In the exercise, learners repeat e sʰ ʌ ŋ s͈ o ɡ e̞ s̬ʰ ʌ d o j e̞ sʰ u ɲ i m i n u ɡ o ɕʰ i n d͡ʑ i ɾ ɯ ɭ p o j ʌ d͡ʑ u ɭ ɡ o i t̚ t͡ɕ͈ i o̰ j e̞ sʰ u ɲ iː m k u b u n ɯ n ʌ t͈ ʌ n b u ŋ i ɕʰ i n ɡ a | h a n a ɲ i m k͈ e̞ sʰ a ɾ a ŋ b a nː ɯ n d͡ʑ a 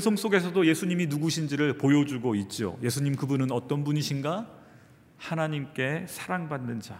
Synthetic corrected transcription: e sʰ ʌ ŋ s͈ o ɡ e̞ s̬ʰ ʌ d o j e̞ sʰ u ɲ i m i n u ɡ u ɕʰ i n d͡ʑ i ɾ ɯ ɭ p o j ʌ d͡ʑ u ɡ o i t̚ t͡ɕ͈ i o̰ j e̞ sʰ u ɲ i m k ɯ b u n ɯ n ʌ t͈ ʌ n b u ɲ i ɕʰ i n ɡ a | h a n a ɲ i m k͈ e̞ sʰ a ɾ a ŋ b a nː ɯ n d͡ʑ a